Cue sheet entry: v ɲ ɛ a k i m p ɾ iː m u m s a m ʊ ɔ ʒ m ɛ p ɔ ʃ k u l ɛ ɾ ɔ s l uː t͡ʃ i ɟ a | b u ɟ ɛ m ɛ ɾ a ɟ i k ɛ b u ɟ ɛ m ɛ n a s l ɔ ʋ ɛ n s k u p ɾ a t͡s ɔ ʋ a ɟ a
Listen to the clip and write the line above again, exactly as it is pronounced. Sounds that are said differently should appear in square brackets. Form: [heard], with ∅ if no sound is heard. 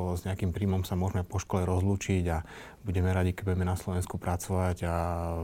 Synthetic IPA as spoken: [z] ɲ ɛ a k i m p ɾ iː m [ɔ] m s a m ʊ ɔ ʒ m ɛ p ɔ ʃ k [ɔ] l ɛ ɾ ɔ [z] l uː t͡ʃ i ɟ a | b u ɟ ɛ m ɛ ɾ a ɟ i k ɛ b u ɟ ɛ m ɛ n a s l ɔ ʋ ɛ n s k u p ɾ a t͡s ɔ ʋ a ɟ a